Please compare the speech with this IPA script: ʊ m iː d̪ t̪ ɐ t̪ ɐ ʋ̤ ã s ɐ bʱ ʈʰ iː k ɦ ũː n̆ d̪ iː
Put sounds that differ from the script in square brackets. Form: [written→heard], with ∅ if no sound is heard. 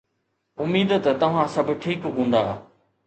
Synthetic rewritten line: ʊ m iː d̪ t̪ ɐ t̪ ɐ ʋ̤ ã s ɐ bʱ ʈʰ iː k ɦ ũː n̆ d̪ [iː→aː]